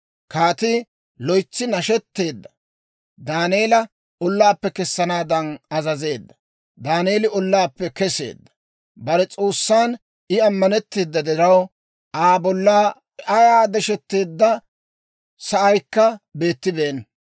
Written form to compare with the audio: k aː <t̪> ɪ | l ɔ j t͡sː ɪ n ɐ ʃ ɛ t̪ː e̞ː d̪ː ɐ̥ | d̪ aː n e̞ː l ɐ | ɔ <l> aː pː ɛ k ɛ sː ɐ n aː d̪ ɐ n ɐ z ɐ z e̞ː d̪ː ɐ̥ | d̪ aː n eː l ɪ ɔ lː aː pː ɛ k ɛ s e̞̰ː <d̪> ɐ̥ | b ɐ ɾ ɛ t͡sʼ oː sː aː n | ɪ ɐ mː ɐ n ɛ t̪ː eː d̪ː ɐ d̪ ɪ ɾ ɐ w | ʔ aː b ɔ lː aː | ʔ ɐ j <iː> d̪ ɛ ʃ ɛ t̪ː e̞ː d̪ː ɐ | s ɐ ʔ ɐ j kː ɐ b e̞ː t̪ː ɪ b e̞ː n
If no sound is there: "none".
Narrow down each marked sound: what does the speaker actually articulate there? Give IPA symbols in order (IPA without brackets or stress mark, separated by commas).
t̪, lː, d̪ː, aː